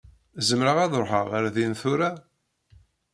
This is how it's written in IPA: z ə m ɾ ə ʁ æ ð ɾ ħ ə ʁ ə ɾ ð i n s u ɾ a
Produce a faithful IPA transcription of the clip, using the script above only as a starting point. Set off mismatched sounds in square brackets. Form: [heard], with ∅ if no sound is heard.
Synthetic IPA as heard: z ə m ɾ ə ʁ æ ð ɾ ħ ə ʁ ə ɾ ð i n [θ] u ɾ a